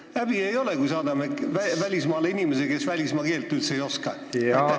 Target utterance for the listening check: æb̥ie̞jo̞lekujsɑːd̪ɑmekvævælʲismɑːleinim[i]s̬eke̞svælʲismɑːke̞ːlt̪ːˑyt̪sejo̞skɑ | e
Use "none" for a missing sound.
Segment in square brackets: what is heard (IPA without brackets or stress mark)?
e